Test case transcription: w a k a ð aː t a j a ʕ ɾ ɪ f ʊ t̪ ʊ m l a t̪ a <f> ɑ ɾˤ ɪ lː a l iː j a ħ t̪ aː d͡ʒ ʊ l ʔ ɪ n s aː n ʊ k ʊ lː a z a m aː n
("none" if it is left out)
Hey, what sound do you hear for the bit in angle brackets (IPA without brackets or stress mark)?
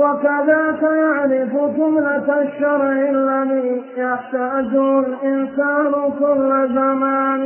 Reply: ʃ